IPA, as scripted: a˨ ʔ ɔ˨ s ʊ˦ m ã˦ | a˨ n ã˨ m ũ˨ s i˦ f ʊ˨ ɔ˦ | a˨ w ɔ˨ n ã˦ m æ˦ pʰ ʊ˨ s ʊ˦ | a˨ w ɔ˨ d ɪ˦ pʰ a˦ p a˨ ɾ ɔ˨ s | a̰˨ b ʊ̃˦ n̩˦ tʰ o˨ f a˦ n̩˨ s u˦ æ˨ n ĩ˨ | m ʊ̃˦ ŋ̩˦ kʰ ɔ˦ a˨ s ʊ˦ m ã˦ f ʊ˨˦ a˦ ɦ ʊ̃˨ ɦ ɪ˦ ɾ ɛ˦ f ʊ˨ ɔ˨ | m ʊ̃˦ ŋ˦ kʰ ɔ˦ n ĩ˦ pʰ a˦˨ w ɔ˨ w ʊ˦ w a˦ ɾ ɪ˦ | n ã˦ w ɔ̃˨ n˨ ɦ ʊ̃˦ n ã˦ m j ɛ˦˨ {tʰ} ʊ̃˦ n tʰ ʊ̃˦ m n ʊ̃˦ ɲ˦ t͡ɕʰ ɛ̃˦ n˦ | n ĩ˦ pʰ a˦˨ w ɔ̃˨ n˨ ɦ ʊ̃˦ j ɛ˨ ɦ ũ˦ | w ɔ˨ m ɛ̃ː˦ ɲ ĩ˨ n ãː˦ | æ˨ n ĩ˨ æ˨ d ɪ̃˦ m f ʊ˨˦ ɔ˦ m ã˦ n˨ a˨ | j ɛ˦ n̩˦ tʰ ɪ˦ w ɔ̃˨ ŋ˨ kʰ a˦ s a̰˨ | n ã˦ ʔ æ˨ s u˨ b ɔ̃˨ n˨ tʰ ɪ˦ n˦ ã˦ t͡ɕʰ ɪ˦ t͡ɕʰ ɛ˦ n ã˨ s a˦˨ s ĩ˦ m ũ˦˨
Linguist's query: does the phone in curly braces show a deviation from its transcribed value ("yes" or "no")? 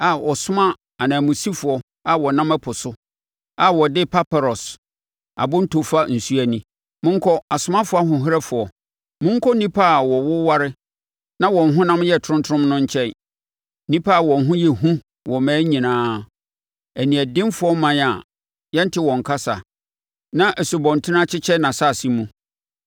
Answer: no